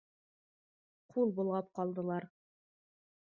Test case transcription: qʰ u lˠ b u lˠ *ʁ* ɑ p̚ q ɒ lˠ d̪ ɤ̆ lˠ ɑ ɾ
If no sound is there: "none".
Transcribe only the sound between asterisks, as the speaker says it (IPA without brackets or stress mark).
ʁ